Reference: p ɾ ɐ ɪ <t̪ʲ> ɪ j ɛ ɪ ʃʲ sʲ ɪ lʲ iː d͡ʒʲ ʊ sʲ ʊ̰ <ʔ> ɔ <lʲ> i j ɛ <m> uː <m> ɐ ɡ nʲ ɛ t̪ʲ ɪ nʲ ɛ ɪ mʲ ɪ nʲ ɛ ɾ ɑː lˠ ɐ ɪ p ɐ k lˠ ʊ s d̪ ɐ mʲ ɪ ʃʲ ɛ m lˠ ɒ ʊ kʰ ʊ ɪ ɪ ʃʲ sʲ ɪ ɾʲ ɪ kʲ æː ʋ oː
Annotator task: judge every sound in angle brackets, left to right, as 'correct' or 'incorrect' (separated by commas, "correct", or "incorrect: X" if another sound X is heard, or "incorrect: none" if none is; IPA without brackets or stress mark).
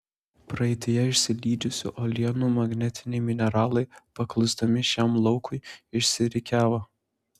correct, correct, correct, incorrect: n, correct